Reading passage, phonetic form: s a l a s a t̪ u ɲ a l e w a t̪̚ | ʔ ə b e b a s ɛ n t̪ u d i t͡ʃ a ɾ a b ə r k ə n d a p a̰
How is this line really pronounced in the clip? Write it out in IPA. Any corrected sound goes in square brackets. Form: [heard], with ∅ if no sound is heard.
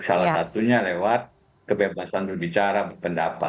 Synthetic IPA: s a l a s a t̪ u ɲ a l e w a t̪̚ | [k] ə b e b a s [a] n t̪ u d i t͡ʃ a ɾ a b ə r [p] ə n d a p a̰

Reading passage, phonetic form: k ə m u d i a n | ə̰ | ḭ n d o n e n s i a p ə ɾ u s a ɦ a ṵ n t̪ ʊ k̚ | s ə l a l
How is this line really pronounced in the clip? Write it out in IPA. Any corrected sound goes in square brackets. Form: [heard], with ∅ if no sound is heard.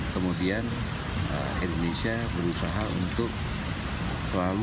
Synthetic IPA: k ə m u d i a n | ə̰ | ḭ n d o n e [∅] s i a [b] ə ɾ u s a ɦ a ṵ n t̪ ʊ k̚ | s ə l a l

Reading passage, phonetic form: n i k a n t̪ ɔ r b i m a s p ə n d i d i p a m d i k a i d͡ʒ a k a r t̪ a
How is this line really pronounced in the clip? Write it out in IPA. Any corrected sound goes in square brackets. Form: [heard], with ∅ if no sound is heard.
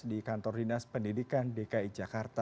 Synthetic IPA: [d] i k a n t̪ ɔ r [d] i [n] a s p ə n d i d i [k] a [n] d [e] k a i d͡ʒ a k a r t̪ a

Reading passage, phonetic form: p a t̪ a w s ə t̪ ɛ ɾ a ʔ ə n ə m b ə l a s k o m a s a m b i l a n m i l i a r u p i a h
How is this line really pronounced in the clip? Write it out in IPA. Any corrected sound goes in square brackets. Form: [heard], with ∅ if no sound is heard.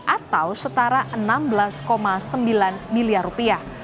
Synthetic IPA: [ʔ] a t̪ a w s ə t̪ [a] ɾ a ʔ ə n [a] m b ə l a s k o m a s [ə] m b i l a n m i l i a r u p i a h

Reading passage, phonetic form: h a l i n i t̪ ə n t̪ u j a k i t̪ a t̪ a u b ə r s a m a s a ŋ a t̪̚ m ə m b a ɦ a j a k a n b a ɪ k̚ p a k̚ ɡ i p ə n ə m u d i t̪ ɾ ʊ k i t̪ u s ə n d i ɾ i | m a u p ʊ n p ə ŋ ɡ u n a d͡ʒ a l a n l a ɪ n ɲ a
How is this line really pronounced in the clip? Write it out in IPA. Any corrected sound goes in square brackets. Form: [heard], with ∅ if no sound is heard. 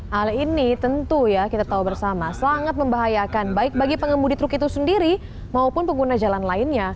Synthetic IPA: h a l i n i t̪ ə n t̪ u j a k i t̪ a t̪ a u b ə r s a m a s a ŋ a t̪̚ m ə m b a ɦ a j a k a n b a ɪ k̚ [b] a [∅] ɡ i p ə [ŋ] ə m u d i t̪ ɾ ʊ k i t̪ u s ə n d i ɾ i | m a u p ʊ n p ə ŋ ɡ u n a d͡ʒ a l a n l a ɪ n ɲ a

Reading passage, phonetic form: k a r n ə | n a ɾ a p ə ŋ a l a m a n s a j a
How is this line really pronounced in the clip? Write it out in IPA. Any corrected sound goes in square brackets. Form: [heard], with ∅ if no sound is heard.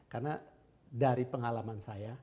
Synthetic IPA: k a r n [a] | [d] a ɾ [i] p ə ŋ a l a m a n s a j a

